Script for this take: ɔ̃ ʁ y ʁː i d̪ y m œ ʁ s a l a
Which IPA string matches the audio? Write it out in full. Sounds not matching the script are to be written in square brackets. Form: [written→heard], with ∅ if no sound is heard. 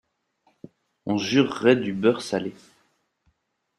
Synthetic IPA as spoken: ɔ̃ [ʁ→ʒ] y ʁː [i→ɛ] d̪ y [m→b] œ ʁ s a l [a→e]